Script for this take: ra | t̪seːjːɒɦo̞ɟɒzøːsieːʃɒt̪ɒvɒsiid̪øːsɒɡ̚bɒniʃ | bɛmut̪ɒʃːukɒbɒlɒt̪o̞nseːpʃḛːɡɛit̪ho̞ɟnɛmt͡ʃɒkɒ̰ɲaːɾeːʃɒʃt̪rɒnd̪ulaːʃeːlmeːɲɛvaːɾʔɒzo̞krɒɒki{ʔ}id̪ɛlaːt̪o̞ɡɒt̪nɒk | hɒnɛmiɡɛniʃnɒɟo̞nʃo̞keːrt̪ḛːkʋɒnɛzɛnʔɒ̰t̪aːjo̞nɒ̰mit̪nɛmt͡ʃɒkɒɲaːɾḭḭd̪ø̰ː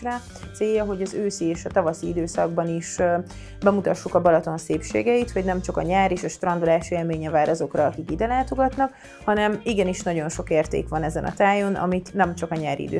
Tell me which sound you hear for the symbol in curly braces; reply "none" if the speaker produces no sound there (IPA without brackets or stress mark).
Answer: k